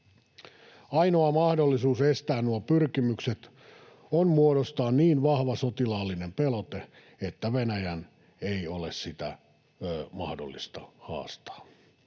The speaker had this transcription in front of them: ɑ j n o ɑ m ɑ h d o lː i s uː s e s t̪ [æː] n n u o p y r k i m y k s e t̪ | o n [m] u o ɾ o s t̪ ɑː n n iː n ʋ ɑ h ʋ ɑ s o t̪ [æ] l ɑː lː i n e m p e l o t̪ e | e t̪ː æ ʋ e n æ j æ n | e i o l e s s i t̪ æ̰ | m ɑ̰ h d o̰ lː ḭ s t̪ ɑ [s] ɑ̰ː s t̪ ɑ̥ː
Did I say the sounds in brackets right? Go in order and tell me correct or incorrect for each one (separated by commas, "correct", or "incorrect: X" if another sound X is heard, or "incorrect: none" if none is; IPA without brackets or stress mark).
correct, correct, incorrect: i, incorrect: h